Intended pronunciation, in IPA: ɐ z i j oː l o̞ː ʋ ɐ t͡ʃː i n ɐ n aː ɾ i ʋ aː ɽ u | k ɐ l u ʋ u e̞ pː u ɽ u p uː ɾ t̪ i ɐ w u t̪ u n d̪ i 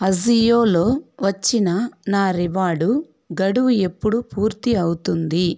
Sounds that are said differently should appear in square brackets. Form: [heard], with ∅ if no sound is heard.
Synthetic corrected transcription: ɐ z i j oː l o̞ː ʋ ɐ t͡ʃː i n ɐ n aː ɾ i ʋ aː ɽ u | [ɡ] ɐ [ɽ] u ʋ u e̞ pː u ɽ u p uː ɾ t̪ i ɐ w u t̪ u n d̪ i